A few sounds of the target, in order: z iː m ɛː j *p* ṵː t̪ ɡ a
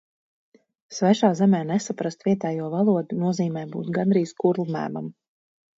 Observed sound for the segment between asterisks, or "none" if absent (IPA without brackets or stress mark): b